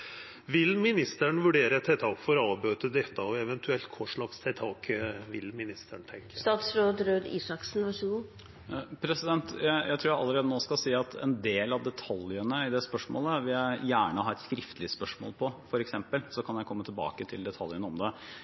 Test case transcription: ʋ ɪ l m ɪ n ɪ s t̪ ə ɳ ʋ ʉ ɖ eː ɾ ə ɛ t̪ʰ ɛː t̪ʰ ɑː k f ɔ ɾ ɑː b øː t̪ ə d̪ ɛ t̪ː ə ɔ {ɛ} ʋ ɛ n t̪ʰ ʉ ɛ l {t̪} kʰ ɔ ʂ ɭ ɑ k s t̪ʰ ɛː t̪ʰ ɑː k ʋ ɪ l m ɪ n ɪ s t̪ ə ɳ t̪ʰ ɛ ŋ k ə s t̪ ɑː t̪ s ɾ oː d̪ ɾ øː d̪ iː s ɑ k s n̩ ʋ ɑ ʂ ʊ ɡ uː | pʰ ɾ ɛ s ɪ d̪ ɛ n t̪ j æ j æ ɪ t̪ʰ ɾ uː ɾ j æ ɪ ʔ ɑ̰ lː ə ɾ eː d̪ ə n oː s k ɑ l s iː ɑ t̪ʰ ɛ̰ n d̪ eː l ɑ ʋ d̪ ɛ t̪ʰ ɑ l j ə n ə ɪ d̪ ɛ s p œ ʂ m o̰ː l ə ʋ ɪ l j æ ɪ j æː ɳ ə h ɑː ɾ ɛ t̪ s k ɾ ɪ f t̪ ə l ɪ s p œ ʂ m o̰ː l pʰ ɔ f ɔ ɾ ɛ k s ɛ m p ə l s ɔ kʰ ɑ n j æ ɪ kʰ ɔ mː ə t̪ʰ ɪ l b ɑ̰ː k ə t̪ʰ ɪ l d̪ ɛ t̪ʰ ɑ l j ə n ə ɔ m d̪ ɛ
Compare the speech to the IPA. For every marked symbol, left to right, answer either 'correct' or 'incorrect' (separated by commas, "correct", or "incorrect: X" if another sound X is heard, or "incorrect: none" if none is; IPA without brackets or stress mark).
correct, correct